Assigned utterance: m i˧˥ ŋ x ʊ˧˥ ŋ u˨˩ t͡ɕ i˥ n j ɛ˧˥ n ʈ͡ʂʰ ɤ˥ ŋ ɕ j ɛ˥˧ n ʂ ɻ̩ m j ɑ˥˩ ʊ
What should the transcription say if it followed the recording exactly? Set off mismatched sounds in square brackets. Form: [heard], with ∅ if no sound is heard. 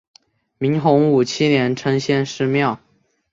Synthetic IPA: m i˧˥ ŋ x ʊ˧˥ ŋ u˨˩ [t͡ɕʰ] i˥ n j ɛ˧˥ n ʈ͡ʂʰ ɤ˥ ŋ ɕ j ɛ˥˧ n ʂ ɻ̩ m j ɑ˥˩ ʊ